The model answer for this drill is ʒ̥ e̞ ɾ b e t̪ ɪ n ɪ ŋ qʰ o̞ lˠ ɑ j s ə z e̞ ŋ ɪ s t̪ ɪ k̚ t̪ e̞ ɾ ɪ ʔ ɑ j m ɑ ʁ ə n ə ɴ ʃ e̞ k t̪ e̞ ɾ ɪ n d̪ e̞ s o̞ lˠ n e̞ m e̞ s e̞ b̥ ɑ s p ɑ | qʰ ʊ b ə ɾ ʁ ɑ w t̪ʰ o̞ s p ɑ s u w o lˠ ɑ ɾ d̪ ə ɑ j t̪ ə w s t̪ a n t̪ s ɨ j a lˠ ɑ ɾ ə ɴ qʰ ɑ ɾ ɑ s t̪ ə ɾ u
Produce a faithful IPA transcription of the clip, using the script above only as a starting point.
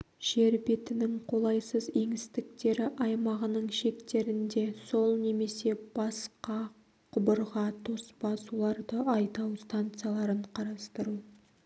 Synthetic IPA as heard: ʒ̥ e̞ ɾ b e t̪ ɪ n ɪ ŋ qʰ o̞ lˠ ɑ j s ə z e̞ ŋ ɪ s t̪ ɪ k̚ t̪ e̞ ɾ ɪ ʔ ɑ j m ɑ ʁ ə n ə ɴ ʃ e̞ k t̪ e̞ ɾ ɪ n d̪ e̞ s o̞ lˠ n e̞ m e̞ s e̞ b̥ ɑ s q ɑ | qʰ ʊ b ə ɾ ʁ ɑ t̪ʰ o̞ s p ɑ s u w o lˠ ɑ ɾ d̪ ə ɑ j t̪ ɑ w s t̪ a n t̪ s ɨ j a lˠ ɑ ɾ ə ɴ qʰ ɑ ɾ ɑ s t̪ ə ɾ u